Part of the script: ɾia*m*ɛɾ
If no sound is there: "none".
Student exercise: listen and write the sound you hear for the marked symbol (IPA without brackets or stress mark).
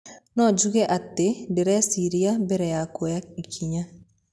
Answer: b